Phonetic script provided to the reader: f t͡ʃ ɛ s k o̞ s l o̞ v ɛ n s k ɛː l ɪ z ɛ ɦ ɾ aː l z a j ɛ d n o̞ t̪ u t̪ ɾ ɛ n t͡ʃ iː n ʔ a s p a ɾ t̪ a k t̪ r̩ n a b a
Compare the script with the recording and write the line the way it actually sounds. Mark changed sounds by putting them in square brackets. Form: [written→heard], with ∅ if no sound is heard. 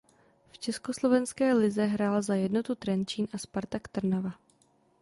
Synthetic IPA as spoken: f t͡ʃ ɛ s k o̞ s l o̞ v ɛ n s k ɛː l ɪ z ɛ ɦ ɾ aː l z a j ɛ d n o̞ t̪ u t̪ ɾ ɛ n t͡ʃ iː n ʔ a s p a ɾ t̪ a k t̪ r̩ n a [b→v] a